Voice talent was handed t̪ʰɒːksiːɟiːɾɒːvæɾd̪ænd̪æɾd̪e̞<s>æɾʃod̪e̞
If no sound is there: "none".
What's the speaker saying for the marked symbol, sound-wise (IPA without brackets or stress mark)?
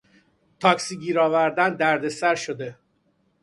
s